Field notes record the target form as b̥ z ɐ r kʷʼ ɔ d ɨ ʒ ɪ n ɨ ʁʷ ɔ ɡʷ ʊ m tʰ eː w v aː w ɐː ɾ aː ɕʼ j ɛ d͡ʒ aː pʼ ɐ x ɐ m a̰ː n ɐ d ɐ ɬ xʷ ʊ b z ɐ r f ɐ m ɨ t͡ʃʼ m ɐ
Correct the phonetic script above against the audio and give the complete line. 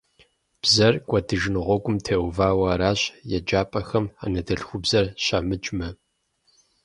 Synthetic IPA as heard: b̥ z ɐ r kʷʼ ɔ d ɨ ʒ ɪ n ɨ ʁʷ ɔ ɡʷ ʊ m tʰ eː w v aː w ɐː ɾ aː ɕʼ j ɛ d͡ʒ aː pʼ ɐ x ɐ m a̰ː n ɐ d ɐ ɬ xʷ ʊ b z ɐ r ɕ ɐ m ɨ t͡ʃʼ m ɐ